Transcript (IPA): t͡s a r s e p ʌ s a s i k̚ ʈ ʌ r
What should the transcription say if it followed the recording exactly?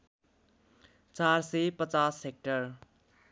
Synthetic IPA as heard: t͡s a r s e p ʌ t͡s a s e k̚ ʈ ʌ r